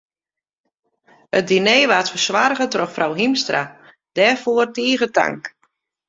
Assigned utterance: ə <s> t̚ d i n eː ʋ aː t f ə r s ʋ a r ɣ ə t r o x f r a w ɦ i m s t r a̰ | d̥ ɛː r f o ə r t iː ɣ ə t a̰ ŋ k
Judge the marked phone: incorrect: none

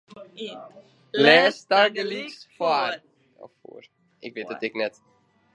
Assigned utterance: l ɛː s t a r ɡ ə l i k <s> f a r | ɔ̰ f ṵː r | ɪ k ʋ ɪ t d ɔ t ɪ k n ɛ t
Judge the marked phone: correct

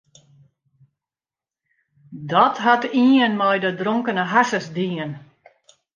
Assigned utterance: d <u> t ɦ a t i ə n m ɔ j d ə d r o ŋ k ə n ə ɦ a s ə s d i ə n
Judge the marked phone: incorrect: ɔ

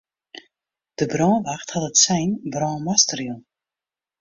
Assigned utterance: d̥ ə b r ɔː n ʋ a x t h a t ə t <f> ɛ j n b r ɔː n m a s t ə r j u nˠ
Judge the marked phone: incorrect: s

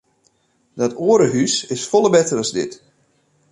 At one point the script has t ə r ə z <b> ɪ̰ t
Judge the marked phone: incorrect: d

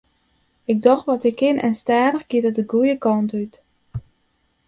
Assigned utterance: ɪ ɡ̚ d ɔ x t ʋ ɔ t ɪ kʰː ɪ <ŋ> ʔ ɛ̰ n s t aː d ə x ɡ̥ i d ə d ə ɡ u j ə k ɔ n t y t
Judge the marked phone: incorrect: n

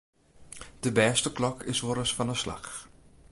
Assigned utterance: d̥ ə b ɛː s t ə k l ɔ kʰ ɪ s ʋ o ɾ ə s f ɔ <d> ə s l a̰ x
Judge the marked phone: incorrect: n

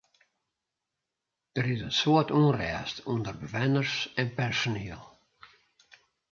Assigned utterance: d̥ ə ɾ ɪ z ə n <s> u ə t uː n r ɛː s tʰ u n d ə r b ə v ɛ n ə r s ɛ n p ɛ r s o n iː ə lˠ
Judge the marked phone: correct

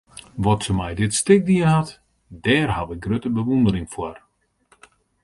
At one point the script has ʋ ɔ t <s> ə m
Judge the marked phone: correct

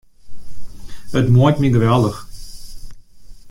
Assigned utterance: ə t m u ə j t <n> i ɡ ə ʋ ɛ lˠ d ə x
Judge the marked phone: incorrect: m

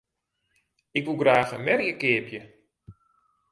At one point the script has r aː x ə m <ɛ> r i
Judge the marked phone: correct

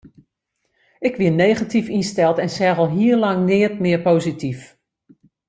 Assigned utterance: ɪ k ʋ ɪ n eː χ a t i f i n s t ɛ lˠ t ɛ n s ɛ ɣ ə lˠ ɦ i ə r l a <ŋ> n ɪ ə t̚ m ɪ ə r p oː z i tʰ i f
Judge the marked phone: correct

